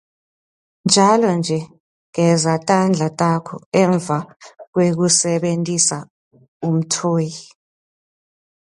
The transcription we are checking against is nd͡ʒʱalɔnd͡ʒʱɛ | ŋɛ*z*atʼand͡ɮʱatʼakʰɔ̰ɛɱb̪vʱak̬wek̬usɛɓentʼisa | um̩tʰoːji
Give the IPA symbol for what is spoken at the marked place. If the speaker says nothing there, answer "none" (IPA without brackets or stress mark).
z